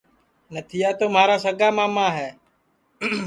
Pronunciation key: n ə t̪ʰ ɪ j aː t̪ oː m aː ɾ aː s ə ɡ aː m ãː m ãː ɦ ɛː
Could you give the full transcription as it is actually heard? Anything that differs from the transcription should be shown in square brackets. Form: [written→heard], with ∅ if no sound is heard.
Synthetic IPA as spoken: n ə t̪ʰ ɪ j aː t̪ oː m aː ɾ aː s ə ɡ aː m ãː m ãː ɦ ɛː